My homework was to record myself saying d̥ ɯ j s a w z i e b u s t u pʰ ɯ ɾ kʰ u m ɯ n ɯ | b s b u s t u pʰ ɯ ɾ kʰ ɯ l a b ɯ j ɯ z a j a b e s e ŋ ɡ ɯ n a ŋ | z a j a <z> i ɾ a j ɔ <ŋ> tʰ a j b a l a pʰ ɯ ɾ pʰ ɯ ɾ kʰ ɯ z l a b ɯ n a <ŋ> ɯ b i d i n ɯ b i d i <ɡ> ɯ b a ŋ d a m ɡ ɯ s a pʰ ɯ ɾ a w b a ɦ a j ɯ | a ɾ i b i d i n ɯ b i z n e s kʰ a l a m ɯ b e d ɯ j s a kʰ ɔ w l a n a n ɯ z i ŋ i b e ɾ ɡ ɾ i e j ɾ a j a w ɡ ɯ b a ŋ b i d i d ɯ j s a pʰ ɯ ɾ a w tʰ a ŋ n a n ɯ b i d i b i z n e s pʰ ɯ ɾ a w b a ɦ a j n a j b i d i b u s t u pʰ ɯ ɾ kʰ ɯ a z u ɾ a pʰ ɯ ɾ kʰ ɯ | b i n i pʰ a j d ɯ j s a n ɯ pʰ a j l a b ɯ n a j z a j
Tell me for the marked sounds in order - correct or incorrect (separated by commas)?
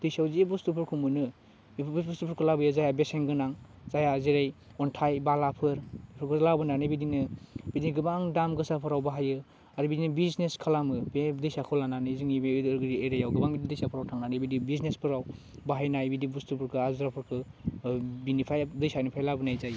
correct, incorrect, incorrect, correct